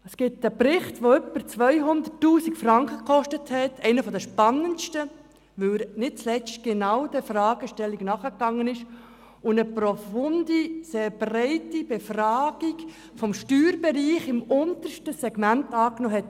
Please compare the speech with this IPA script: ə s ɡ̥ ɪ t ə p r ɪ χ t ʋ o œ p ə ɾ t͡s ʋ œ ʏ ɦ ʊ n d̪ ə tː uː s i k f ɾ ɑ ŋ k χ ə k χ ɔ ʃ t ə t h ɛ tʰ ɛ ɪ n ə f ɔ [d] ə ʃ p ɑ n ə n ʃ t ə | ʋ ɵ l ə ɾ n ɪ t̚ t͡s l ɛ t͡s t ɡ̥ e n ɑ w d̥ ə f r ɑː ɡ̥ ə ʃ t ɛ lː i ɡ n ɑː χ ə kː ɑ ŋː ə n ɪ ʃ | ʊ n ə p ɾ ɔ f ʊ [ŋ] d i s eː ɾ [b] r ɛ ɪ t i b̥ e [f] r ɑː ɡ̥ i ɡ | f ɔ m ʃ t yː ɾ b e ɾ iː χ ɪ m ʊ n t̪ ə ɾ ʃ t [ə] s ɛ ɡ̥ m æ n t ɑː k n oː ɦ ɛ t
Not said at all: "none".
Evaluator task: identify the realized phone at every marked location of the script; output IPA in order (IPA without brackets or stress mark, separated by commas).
d, n, b, f, ə